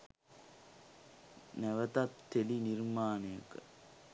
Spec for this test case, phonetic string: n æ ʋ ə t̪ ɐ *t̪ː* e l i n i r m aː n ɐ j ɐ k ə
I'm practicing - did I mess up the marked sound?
no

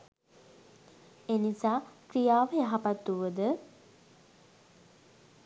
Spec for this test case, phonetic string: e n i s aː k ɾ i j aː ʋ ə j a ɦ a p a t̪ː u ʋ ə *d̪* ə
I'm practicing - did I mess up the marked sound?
no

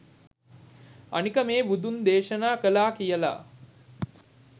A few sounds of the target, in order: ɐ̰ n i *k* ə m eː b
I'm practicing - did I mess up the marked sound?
no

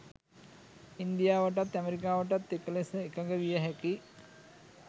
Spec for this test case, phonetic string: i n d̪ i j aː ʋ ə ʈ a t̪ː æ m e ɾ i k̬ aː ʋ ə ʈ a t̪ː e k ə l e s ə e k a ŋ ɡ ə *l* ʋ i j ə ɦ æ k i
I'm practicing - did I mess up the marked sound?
yes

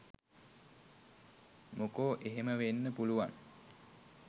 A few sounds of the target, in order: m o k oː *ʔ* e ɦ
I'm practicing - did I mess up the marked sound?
no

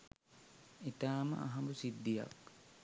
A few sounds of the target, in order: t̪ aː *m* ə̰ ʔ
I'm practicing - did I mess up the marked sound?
no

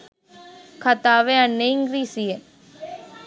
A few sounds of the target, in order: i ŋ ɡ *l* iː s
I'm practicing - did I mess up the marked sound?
yes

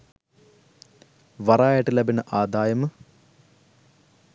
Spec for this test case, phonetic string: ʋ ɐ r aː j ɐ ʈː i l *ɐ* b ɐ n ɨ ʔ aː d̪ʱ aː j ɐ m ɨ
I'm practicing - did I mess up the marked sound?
no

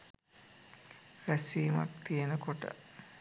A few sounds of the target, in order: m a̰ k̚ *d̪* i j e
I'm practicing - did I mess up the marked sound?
yes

